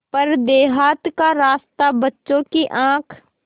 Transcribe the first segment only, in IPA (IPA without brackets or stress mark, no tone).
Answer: p